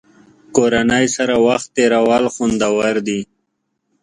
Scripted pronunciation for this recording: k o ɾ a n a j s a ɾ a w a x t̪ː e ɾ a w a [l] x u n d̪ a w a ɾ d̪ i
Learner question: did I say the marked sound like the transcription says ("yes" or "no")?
yes